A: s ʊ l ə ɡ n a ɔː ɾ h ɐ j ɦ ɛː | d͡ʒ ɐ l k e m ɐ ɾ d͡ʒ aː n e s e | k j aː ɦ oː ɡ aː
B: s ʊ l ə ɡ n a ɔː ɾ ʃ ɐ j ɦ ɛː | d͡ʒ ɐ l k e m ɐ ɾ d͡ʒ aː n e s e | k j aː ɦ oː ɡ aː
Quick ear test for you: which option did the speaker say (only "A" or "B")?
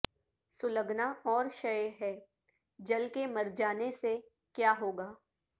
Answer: B